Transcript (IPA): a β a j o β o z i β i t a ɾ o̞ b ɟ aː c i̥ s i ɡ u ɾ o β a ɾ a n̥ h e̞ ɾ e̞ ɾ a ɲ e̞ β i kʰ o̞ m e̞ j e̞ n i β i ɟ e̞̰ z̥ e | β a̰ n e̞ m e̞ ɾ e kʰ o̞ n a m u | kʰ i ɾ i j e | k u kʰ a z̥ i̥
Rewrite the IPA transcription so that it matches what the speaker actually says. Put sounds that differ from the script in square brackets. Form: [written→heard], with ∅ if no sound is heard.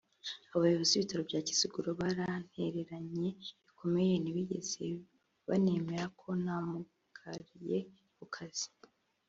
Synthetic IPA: a β a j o β o z i β i t a ɾ o̞ b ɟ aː c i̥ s i ɡ u ɾ o β a ɾ a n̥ h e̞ ɾ e̞ ɾ a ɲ e̞ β i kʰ o̞ m e̞ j e̞ n i β i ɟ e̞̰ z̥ e | β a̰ n e̞ m e̞ ɾ [e→a] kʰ o̞ n a m u | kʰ [i→a] ɾ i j e | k u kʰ a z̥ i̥